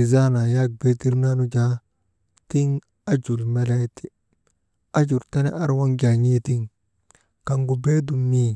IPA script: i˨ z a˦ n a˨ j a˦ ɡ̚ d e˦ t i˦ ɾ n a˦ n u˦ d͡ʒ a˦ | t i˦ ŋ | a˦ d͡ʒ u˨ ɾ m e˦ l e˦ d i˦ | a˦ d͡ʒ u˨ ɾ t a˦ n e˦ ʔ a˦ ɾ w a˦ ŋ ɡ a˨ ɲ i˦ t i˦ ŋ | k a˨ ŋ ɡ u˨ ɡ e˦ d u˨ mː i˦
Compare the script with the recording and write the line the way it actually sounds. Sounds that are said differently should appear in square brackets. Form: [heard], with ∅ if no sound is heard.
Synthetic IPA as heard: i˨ z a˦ n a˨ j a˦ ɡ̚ [b] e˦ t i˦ ɾ n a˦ n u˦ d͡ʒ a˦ | t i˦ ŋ | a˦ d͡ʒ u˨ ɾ m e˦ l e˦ [t] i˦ | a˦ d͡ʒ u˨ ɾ t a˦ n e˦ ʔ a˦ ɾ w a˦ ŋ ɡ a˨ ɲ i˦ t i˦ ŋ | k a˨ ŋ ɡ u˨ [b] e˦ d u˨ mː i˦